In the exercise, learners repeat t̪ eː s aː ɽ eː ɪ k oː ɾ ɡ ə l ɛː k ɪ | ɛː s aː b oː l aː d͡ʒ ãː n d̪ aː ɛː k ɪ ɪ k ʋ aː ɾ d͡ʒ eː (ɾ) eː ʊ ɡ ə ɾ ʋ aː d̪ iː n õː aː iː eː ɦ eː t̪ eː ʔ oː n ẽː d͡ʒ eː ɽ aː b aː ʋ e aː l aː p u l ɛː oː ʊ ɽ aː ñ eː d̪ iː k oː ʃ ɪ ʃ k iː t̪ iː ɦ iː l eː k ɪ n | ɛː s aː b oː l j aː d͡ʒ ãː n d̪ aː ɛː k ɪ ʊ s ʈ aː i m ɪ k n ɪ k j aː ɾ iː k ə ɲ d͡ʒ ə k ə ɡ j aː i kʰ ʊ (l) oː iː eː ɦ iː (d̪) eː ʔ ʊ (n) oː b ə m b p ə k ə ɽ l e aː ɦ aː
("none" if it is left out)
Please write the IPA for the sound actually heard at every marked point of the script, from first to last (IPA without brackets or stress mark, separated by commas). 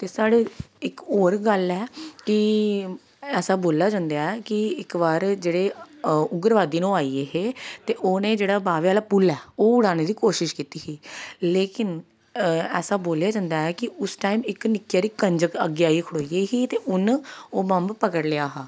ɽ, ɽ, t̪, n